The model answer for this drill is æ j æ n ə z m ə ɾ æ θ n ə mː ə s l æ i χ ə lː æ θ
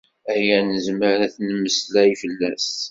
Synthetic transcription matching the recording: æ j æ n ə z m ə ɾ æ θ n ə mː ə s l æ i f ə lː æ s